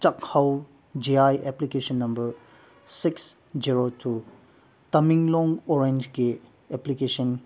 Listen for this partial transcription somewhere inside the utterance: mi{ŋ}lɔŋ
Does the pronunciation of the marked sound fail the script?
no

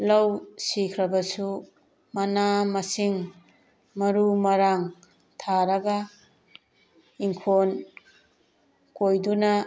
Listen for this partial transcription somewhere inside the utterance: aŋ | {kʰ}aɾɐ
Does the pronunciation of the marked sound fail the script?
yes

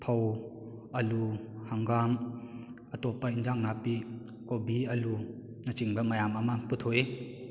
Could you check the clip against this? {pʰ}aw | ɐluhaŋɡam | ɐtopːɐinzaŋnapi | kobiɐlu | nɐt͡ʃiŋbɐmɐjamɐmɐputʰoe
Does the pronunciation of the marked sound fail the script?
no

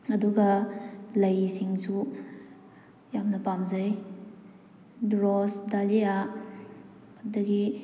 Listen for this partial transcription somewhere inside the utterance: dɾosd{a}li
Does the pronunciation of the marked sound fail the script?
no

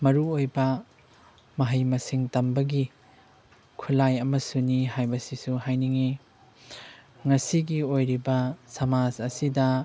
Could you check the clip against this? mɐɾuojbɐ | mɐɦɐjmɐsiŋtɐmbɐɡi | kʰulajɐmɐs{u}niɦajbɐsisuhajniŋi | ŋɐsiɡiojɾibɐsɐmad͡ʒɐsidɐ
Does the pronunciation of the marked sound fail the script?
no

